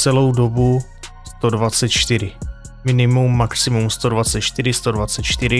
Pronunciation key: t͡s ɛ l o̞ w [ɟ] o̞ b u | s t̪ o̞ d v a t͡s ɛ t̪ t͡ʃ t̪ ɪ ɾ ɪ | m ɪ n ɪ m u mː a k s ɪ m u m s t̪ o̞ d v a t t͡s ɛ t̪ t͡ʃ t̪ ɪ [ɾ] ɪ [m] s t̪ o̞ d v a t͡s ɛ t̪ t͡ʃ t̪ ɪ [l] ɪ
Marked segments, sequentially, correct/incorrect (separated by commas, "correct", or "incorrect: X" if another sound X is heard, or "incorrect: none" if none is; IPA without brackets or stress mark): incorrect: d, correct, incorrect: none, incorrect: ɾ